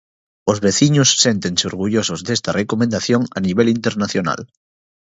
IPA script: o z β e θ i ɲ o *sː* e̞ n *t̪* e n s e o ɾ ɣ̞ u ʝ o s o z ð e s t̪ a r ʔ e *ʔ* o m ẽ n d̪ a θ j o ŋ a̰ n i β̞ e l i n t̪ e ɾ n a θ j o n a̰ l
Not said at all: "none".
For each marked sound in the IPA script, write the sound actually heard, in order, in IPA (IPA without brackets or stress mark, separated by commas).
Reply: sː, t̪, k